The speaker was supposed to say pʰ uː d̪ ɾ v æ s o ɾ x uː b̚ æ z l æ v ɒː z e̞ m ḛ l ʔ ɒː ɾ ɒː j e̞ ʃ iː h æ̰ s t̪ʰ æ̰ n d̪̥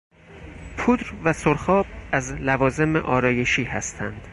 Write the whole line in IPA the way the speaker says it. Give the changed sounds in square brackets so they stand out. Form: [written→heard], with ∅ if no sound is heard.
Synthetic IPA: pʰ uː d̪ ɾ v æ s o ɾ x [uː→ɒː] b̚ æ z l æ v ɒː z e̞ m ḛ [l→∅] ʔ ɒː ɾ ɒː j e̞ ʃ iː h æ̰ s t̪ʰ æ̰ n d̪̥